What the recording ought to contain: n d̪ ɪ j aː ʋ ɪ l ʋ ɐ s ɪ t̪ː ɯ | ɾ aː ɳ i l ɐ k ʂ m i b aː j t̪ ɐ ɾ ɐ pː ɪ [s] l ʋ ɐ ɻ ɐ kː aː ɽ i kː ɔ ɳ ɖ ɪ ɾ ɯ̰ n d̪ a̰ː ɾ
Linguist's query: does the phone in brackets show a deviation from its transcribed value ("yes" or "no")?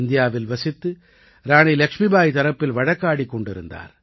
yes